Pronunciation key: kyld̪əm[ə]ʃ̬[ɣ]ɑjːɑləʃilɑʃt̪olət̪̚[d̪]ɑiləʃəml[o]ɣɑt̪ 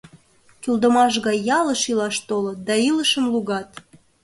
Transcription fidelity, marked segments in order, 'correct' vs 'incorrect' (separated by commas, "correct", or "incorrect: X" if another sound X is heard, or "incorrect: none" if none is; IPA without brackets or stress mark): incorrect: ɑ, correct, correct, incorrect: u